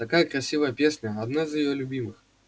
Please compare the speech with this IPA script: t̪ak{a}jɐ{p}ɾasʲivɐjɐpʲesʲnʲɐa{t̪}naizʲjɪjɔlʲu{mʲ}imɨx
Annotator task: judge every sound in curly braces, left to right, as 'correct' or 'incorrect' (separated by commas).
correct, incorrect, incorrect, incorrect